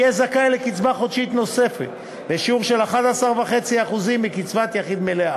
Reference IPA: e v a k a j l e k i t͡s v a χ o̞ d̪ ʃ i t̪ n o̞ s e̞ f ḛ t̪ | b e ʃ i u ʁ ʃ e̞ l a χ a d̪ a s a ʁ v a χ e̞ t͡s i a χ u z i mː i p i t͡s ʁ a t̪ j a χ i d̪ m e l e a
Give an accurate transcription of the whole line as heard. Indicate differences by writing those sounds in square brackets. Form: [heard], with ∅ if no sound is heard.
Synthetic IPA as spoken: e [z] a k a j l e k i t͡s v a χ o̞ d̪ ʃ i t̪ n o̞ s e̞ f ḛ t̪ | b e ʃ i u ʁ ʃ e̞ l a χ a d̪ a s a ʁ v a χ e̞ t͡s i a χ u z i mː i [k] i t͡s [v] a t̪ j a χ i d̪ m e l e a